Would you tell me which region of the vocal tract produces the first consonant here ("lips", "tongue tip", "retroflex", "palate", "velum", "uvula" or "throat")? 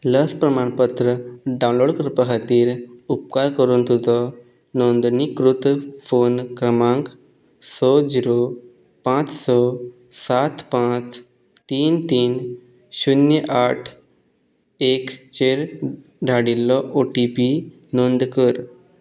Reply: tongue tip